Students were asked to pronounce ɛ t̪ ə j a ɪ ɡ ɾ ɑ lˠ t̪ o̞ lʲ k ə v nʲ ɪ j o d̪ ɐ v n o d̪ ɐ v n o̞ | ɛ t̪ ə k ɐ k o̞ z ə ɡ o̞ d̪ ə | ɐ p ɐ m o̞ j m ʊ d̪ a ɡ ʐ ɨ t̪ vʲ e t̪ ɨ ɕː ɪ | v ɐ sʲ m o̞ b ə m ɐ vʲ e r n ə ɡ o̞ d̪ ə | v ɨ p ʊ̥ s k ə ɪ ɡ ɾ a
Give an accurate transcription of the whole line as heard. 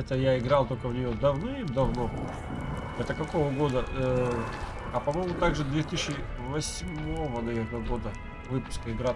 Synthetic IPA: ɛ t̪ ə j a ɪ ɡ ɾ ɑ lˠ t̪ o̞ lʲ k ə v nʲ ɪ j o d̪ ɐ v n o d̪ ɐ v n o̞ | ɛ t̪ ə k ɐ k o̞ v ə ɡ o̞ d̪ ə | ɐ p ɐ m o̞ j m ʊ t̪ a ɡ ʐ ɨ d̪ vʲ e t̪ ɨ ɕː ɪ | v ɐ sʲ m o̞ v ə n ɐ vʲ e r n ə ɡ o̞ d̪ ə | v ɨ p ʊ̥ s k ə ɪ ɡ ɾ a